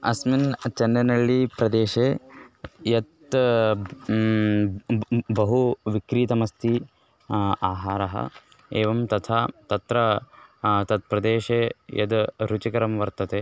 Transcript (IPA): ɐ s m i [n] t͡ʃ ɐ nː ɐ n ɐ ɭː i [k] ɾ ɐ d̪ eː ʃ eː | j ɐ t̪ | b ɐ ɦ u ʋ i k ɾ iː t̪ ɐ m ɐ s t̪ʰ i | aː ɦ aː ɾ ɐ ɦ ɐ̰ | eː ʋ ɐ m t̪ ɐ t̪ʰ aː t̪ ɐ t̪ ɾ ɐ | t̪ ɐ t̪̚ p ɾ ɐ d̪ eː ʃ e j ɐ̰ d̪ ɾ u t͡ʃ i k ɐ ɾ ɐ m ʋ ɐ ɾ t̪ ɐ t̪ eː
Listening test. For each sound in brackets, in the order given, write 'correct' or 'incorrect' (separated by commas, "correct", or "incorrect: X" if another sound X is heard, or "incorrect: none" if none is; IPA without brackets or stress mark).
correct, incorrect: p